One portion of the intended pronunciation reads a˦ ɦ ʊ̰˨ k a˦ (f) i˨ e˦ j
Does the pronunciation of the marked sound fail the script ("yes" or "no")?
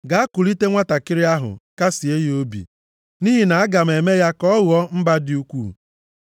yes